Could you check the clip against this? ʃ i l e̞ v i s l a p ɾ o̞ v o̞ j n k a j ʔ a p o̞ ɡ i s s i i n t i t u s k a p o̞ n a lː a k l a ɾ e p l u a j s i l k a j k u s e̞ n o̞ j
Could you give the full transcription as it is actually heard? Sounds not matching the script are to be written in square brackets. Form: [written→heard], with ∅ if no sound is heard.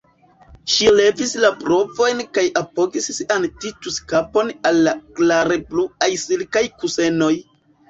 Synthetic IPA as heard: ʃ i l e̞ v i s l a p ɾ o̞ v o̞ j n k a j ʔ a p o̞ ɡ i s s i [i→a] n t i t u s k a p o̞ n a lː a k l a ɾ e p l u a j s i l k a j k u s e̞ n o̞ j